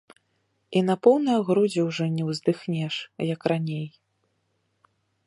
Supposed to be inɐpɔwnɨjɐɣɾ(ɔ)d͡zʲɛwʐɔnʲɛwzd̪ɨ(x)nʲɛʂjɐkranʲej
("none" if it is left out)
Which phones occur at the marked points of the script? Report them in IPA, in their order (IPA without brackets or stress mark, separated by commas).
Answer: u, x